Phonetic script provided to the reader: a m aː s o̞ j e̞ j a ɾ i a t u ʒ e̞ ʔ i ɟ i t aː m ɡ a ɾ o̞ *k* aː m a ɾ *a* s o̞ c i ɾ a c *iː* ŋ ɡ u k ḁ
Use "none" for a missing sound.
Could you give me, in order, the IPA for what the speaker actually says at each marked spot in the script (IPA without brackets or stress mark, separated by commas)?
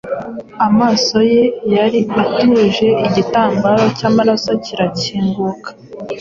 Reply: c, a, iː